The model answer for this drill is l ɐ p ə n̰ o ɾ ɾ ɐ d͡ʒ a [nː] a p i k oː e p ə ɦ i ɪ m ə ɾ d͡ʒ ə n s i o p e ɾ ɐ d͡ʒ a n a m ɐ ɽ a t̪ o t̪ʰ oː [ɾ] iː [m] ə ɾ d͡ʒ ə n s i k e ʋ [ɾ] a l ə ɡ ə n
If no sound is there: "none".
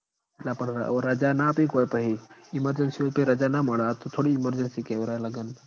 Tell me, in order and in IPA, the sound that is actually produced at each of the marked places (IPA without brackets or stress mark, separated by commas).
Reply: n, ɽ, m, ɾ